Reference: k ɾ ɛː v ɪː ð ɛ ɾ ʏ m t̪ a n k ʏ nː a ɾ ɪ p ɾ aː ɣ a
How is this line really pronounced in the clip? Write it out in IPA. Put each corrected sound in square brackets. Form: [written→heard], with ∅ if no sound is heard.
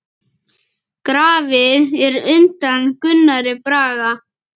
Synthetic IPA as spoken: k ɾ [ɛː→aː] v [ɪː→ɪ] ð ɛ ɾ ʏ [m→n] t̪ a n k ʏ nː a ɾ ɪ p ɾ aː ɣ a